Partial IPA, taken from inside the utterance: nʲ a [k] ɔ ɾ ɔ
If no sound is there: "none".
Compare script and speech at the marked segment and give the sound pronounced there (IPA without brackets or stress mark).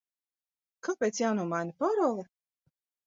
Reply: p